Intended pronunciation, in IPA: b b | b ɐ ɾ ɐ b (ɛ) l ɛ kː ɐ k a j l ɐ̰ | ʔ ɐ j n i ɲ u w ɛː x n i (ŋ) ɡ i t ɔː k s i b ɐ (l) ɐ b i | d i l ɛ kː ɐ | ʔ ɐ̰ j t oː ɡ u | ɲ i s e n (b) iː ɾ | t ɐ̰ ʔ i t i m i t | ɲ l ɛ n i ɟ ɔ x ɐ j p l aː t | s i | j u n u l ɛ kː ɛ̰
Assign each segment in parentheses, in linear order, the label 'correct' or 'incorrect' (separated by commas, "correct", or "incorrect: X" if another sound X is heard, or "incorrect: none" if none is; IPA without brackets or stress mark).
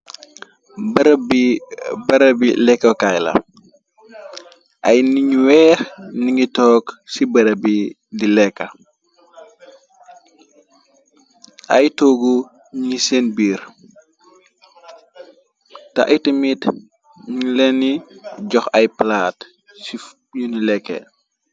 incorrect: i, correct, incorrect: ɾ, correct